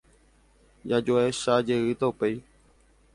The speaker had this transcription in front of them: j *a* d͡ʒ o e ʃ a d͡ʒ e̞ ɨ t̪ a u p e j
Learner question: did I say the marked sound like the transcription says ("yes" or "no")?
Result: yes